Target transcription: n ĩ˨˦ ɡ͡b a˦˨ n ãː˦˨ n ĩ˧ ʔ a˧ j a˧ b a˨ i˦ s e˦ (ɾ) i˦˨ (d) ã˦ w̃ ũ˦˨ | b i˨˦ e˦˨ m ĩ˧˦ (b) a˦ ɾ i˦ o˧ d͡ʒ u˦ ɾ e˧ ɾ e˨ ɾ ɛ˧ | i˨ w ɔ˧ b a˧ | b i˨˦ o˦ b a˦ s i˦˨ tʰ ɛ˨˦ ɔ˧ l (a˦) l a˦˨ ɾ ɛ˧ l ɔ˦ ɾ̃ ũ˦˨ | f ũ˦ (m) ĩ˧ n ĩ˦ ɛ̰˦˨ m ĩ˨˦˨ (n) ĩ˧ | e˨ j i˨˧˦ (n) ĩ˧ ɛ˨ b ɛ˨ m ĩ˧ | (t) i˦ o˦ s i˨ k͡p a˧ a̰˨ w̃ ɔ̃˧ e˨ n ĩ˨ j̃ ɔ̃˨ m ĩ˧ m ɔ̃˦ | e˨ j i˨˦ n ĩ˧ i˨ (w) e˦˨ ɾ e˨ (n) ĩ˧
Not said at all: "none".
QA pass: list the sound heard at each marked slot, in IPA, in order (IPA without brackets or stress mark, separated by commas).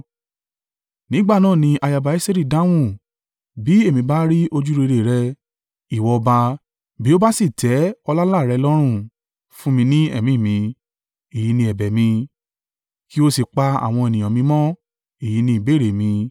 ɾ, d, b, a˦, m, m, n, k, b, m